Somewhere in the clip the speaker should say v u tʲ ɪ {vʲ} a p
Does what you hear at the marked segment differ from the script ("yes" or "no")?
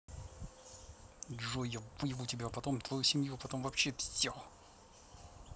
yes